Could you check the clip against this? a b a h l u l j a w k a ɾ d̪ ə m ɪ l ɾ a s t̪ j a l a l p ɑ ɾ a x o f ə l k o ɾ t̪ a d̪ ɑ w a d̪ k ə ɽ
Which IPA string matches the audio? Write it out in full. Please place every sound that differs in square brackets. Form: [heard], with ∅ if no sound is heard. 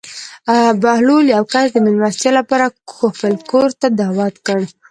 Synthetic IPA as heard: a b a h l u l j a w k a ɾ d̪ ə m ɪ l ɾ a s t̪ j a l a [∅] p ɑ ɾ a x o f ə l k o ɾ t̪ a d̪ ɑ w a [t̪] k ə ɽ